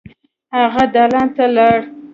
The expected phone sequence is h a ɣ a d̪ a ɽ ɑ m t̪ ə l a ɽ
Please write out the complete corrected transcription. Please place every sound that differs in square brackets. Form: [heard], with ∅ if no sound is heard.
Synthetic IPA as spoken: h a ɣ a d̪ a [l] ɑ [n] t̪ [a] l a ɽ